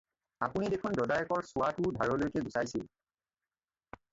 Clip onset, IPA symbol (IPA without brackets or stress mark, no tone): a